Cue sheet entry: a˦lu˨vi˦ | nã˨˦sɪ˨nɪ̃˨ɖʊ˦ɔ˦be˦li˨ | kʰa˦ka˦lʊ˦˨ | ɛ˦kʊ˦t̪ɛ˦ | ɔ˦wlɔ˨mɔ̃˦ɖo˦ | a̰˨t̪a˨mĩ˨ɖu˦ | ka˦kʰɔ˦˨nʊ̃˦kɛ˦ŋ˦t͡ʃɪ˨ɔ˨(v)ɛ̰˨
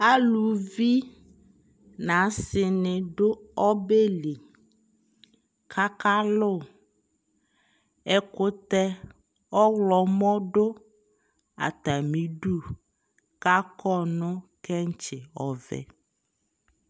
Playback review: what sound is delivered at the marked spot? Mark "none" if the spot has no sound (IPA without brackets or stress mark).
v